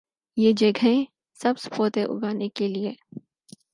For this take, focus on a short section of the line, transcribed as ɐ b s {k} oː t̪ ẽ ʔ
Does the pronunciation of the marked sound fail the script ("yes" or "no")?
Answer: yes